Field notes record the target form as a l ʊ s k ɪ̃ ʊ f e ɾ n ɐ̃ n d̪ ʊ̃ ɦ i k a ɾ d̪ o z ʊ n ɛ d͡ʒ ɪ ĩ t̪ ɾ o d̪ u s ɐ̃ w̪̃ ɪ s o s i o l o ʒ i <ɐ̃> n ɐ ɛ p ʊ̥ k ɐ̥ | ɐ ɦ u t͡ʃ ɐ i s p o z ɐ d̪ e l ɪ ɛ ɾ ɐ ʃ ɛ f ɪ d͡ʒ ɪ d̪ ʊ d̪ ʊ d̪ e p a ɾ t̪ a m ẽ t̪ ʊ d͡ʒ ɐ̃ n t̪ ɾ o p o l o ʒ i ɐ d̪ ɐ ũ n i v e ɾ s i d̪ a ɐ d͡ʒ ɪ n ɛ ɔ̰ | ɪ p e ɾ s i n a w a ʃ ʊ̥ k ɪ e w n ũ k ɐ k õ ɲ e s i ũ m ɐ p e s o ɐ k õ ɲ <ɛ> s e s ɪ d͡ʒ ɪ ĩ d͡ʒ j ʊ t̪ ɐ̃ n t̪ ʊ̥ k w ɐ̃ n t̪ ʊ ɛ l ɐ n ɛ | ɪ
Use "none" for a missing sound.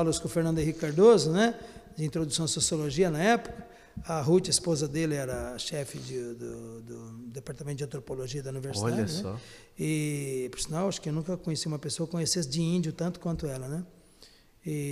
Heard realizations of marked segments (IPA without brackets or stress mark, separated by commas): ɐ, e